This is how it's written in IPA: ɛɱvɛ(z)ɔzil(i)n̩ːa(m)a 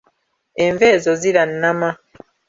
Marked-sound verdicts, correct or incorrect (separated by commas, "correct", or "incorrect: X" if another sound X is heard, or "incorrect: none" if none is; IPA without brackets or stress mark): correct, incorrect: a, correct